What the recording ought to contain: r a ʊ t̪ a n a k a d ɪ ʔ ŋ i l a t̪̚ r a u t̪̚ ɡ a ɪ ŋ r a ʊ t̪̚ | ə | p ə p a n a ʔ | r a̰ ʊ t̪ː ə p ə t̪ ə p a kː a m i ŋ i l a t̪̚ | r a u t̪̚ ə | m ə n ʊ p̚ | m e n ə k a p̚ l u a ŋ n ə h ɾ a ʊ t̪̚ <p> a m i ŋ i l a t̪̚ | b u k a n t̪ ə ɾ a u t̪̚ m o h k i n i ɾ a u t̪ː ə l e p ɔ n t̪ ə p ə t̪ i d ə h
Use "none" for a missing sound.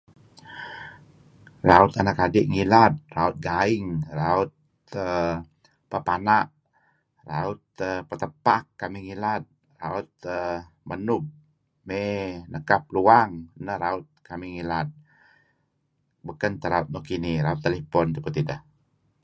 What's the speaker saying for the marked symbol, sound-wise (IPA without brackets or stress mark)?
k